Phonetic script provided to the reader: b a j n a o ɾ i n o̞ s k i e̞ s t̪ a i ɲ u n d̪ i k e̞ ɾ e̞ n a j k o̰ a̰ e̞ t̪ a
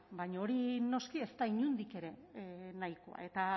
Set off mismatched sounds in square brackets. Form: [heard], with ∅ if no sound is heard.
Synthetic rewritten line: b a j [ɲ] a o ɾ i n o̞ s k i e̞ s t̪ a i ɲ u n d̪ i k e̞ ɾ e̞ n a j k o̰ a̰ e̞ t̪ a